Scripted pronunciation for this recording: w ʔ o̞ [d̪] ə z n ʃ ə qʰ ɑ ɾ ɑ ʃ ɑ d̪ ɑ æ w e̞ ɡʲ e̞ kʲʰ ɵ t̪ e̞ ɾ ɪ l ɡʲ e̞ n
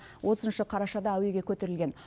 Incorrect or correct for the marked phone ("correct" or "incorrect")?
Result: incorrect